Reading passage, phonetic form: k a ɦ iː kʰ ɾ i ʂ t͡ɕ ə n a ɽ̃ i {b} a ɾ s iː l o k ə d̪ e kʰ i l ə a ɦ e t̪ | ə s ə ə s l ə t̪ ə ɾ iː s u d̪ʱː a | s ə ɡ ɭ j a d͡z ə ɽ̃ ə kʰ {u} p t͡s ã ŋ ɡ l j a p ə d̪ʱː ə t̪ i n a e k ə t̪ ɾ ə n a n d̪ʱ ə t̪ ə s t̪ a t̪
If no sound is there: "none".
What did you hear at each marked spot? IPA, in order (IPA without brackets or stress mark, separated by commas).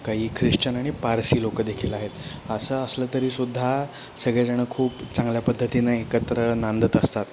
p, uː